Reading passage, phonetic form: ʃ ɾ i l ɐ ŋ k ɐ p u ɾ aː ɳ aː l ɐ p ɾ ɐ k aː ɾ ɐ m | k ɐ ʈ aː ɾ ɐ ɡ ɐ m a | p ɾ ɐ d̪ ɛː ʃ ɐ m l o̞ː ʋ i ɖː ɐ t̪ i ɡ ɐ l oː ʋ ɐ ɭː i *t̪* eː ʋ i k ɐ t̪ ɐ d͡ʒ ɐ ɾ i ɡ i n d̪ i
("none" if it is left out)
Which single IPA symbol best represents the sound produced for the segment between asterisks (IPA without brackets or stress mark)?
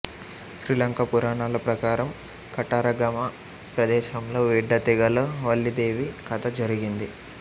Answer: d̪